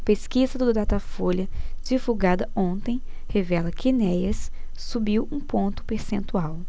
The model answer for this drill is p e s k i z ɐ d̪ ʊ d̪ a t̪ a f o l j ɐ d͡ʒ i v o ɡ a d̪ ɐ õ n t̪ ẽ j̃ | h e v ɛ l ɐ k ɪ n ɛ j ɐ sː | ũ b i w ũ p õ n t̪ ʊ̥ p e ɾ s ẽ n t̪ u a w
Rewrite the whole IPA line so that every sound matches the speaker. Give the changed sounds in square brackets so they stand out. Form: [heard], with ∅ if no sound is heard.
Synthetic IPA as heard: p e s k i z ɐ d̪ ʊ d̪ a t̪ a f o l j ɐ d͡ʒ i v [u] ɡ a d̪ ɐ õ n t̪ ẽ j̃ | h e v ɛ l ɐ k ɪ n ɛ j ɐ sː | [u] b i w ũ p õ n t̪ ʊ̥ p e ɾ s ẽ n t̪ u a w